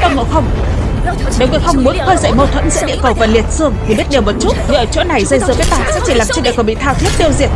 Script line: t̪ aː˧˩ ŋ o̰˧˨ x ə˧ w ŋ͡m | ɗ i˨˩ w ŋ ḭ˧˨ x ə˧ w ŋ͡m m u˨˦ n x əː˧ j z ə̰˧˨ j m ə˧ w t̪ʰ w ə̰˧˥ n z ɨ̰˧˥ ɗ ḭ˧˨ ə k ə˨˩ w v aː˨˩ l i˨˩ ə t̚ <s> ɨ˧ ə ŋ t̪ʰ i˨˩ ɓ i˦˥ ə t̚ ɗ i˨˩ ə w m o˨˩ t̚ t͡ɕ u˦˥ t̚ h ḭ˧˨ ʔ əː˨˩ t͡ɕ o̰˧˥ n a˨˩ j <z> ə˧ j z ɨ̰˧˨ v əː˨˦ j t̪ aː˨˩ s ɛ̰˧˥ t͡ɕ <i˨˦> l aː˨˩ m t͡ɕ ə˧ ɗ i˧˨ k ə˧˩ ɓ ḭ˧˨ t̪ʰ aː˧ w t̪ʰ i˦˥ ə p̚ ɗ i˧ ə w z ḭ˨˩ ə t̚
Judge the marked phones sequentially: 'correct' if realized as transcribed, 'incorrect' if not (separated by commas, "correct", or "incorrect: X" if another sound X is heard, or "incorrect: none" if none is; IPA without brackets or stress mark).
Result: correct, correct, incorrect: i˧˩